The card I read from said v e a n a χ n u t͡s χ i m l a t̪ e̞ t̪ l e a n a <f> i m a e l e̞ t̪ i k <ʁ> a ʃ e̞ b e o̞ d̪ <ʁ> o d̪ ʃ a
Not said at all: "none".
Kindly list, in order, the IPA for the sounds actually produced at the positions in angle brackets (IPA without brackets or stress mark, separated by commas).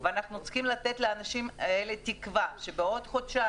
ʃ, v, χ